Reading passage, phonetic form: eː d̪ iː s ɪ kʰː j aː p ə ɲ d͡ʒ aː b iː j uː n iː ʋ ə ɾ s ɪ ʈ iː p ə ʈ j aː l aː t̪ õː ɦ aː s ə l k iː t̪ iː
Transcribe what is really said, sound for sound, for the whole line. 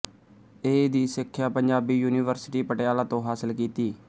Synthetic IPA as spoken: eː d̪ iː s ɪ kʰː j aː p ə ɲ d͡ʒ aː b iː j uː n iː ʋ ə ɾ s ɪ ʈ iː p ə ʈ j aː l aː t̪ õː ɦ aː s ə l k iː t̪ iː